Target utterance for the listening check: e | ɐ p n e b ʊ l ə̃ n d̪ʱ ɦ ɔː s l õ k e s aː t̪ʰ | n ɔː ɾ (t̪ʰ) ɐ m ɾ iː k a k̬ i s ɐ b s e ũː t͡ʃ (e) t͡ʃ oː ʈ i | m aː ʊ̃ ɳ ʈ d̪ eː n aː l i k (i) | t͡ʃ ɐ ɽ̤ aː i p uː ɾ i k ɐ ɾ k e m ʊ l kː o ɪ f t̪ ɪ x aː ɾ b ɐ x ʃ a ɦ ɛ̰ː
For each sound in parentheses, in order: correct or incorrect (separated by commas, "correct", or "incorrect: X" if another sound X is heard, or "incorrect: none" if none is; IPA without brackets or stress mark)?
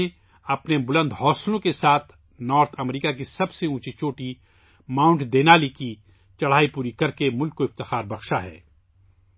correct, incorrect: i, correct